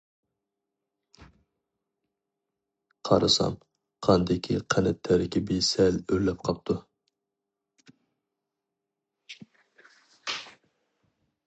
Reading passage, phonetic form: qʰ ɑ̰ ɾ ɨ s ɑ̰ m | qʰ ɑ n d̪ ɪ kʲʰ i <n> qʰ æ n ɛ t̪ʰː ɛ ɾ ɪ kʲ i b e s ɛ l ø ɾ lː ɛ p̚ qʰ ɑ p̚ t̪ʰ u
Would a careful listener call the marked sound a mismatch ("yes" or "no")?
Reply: yes